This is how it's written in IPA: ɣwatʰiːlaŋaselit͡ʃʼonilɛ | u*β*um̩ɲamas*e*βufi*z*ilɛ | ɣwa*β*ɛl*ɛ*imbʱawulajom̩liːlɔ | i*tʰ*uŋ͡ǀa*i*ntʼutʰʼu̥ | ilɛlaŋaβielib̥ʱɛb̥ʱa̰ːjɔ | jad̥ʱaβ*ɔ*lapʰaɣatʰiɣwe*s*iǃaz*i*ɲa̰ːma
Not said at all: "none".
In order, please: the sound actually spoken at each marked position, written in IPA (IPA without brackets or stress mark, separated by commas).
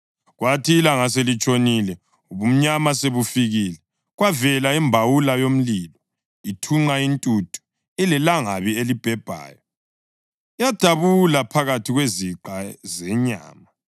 β, e, ɣ, v, a, tʰ, i, u, z, ɛ